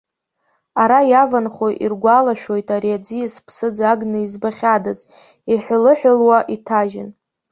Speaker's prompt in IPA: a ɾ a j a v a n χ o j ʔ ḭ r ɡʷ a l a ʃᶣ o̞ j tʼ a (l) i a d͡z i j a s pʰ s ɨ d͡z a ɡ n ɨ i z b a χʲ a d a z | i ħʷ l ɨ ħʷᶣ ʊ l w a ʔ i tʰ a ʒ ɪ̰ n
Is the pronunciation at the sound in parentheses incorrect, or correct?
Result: incorrect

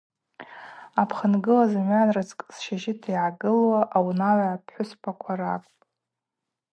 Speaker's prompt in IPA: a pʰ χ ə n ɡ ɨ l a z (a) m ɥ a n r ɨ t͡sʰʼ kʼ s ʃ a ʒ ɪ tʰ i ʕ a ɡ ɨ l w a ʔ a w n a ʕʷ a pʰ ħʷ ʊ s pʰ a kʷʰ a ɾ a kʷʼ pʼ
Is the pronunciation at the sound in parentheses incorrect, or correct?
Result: correct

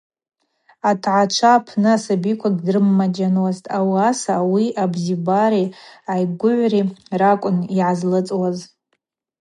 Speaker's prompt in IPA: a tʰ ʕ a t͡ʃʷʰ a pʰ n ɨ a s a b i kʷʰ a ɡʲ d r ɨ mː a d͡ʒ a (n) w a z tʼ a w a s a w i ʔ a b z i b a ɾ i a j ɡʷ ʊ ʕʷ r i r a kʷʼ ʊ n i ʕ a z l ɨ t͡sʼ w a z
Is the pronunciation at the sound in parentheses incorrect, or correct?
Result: correct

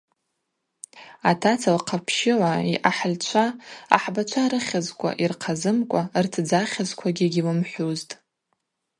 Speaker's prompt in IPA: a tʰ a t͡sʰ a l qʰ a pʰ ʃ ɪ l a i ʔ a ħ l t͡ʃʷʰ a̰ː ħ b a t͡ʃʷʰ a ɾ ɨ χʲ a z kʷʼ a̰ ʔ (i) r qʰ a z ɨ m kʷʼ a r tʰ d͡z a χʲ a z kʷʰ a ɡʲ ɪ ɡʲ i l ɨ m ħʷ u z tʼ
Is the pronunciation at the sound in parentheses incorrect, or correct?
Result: correct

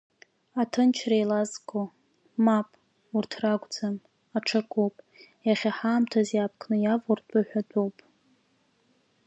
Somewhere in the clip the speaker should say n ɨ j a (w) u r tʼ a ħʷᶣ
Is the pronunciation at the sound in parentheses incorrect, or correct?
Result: incorrect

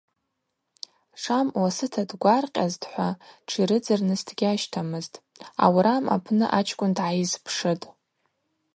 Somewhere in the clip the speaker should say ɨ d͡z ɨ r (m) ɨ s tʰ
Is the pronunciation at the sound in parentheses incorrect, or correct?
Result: incorrect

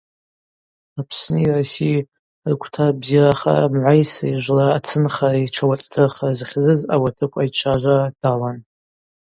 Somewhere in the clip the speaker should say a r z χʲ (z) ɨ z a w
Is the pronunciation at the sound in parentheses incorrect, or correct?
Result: correct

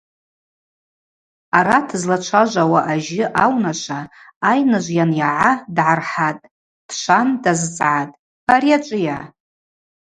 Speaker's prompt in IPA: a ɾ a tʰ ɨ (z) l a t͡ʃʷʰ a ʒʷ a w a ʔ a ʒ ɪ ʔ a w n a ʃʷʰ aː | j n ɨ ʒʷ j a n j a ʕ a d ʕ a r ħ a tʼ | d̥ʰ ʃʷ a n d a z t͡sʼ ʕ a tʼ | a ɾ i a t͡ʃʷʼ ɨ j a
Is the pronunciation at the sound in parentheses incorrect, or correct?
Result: correct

